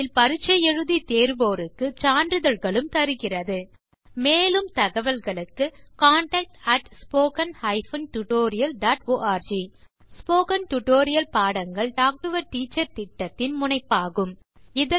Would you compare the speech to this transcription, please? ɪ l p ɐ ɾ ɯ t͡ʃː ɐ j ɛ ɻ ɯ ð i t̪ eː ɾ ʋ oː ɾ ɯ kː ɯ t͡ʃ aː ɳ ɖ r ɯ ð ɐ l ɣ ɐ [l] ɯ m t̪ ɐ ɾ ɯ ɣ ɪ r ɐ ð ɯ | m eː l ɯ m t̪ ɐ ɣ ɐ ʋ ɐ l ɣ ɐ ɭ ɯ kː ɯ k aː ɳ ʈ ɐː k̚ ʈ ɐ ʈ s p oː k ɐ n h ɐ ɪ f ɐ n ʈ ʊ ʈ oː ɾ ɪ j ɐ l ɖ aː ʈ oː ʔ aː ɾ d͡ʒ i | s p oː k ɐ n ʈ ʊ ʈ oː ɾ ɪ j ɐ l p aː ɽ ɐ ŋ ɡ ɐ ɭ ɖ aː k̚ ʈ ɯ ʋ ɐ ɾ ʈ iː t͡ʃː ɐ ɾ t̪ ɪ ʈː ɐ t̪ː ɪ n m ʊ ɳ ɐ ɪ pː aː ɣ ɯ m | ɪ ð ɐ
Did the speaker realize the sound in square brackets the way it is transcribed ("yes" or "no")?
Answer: no